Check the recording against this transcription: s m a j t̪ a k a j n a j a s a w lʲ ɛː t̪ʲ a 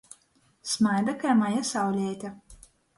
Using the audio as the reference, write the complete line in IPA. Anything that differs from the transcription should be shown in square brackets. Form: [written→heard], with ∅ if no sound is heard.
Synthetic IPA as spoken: s m a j [t̪→d̪] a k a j [n→m] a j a s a w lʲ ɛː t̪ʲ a

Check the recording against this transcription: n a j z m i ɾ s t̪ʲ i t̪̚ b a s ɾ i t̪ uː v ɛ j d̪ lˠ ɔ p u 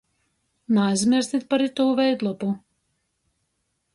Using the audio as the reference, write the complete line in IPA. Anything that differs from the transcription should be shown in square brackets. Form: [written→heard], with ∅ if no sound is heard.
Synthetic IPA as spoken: n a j z m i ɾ s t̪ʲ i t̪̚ [b→p] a [s→∅] ɾ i t̪ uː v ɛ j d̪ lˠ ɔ p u

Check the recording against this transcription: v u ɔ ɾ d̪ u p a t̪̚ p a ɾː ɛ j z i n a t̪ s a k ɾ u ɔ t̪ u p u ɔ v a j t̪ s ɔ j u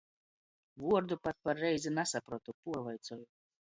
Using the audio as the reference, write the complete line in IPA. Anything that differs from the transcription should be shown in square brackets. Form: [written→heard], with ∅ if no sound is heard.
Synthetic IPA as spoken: v u ɔ ɾ d̪ u p a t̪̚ p a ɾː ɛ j z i n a [t̪→∅] s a [k→p] ɾ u ɔ t̪ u p u ɔ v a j t̪ s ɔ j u

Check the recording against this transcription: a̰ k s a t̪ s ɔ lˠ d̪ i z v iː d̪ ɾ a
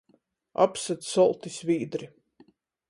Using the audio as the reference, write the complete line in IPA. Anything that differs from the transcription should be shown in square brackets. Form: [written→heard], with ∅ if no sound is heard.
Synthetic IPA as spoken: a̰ [k→p] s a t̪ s ɔ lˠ [d̪→t̪] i [z→s] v iː d̪ ɾ [a→i]

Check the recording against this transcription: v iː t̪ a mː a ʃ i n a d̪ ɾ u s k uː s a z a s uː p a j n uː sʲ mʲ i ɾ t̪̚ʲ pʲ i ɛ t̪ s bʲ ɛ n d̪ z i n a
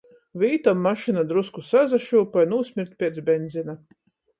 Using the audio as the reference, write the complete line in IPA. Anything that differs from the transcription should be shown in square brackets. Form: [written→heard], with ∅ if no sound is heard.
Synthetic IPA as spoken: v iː t̪ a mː a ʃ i n a d̪ ɾ u s k [uː→u] s a z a [s→ʃ] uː p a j n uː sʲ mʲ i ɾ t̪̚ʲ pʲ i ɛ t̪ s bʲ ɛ n d̪ z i n a

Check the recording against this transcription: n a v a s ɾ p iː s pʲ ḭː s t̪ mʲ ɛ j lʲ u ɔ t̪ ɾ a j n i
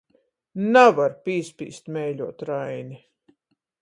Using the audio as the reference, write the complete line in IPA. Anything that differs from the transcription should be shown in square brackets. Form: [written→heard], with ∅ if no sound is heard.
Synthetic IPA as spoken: n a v a [s→∅] ɾ p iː s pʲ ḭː s t̪ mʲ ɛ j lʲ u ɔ t̪ ɾ a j n i

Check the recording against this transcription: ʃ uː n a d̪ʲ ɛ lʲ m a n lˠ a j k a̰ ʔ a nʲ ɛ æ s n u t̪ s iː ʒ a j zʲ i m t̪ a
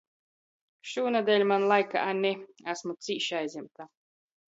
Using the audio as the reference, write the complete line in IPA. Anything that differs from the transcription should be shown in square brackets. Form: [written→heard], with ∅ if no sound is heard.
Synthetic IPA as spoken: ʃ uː n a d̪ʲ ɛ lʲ m a n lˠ a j k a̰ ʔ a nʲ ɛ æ s [n→m] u t̪ s iː [ʒ→ʃ] a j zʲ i m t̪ a

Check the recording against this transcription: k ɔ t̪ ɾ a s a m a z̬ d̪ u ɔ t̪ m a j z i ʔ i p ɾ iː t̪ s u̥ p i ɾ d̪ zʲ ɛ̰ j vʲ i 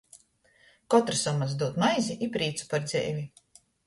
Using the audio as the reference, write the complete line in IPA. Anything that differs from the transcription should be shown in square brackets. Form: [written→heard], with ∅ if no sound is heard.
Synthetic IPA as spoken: k ɔ t̪ ɾ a s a m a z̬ d̪ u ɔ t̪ m a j z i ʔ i p ɾ iː t̪ s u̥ p [i→a] ɾ d̪ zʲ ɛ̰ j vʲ i

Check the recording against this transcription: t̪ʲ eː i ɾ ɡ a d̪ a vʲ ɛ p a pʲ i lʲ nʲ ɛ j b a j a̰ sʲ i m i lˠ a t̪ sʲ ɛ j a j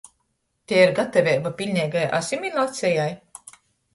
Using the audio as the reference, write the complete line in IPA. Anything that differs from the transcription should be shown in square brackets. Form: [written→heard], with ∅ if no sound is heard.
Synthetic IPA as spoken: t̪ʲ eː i ɾ ɡ a [d̪→t̪] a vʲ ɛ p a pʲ i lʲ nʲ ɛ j [b→ɡ] a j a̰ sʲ i m i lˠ a t̪ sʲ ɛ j a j

